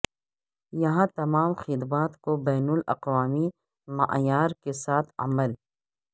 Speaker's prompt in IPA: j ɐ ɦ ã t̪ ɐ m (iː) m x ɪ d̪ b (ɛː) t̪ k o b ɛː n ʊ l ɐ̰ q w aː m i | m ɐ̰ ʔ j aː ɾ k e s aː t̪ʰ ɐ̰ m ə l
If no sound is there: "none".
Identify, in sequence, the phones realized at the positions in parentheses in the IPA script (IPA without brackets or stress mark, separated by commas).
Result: aː, aː